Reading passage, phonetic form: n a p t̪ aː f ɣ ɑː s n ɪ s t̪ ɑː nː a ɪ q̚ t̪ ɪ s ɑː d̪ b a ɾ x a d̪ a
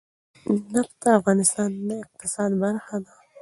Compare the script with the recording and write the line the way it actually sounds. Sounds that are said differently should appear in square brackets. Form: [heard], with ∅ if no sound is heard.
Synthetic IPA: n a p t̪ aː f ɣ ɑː [∅] n ɪ s t̪ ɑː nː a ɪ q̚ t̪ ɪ s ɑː d̪ b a ɾ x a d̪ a